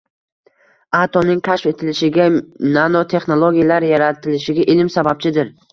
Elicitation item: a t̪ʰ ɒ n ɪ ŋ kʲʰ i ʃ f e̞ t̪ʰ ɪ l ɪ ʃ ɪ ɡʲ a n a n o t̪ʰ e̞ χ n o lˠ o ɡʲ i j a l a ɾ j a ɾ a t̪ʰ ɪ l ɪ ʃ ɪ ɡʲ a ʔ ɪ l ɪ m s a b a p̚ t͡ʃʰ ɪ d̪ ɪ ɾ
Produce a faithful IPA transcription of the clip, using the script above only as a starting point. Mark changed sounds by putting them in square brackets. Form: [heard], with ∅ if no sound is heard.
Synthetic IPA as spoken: a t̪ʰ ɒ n ɪ ŋ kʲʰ [a] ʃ f e̞ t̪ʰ ɪ l ɪ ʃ ɪ ɡʲ a n a n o t̪ʰ e̞ χ n o lˠ o ɡʲ i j a l a ɾ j a ɾ a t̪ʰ ɪ l ɪ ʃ ɪ ɡʲ a ʔ ɪ l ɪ m s a b a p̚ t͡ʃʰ ɪ d̪ ɪ ɾ